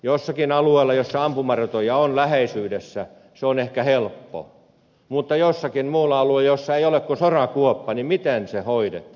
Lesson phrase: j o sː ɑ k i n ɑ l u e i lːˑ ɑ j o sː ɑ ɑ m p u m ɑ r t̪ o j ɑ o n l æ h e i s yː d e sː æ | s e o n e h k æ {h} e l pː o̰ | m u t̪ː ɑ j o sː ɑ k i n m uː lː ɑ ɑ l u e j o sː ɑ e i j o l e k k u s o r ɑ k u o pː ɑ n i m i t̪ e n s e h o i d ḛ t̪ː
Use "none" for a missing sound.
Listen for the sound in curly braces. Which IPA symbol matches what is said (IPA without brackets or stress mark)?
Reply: h